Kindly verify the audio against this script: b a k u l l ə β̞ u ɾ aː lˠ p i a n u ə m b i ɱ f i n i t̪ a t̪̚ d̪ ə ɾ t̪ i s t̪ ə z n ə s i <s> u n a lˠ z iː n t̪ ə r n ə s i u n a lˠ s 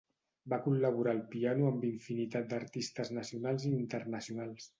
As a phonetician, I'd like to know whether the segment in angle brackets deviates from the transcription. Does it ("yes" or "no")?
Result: yes